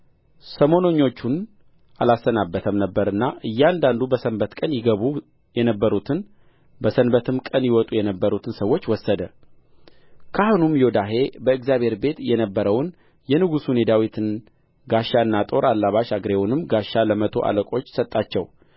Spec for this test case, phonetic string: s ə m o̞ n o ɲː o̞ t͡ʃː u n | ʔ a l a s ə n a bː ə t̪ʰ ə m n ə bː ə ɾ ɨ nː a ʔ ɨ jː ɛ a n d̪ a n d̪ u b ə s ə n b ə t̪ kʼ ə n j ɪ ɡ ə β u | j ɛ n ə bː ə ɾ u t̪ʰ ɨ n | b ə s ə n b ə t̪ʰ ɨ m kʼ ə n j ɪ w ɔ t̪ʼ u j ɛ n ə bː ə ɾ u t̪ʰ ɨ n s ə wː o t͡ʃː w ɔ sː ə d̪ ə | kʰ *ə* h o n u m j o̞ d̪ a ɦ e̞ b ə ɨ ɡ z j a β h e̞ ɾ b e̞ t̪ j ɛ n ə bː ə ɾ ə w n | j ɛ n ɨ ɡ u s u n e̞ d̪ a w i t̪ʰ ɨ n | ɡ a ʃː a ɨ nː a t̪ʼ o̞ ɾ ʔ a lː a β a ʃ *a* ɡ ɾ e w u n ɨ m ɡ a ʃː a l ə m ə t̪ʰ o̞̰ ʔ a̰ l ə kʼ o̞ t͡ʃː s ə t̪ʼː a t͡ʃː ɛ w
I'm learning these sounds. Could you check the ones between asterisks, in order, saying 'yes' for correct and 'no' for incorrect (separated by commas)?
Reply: no, yes